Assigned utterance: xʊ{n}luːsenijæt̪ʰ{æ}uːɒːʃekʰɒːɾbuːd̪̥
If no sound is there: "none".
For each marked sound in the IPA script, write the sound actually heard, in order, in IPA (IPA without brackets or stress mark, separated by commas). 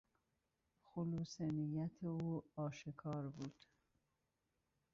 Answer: none, e